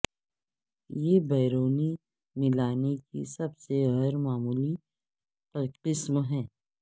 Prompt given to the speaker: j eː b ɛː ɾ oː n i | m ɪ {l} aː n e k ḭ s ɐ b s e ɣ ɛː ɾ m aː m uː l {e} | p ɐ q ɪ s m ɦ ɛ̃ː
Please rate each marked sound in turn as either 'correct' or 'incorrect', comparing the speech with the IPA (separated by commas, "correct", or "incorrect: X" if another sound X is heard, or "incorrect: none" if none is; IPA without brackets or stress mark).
correct, incorrect: i